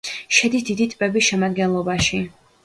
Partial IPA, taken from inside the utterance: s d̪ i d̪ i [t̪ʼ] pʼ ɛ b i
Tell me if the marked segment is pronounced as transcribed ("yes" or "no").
yes